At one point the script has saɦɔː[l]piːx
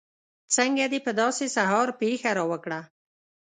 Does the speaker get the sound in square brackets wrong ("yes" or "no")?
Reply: yes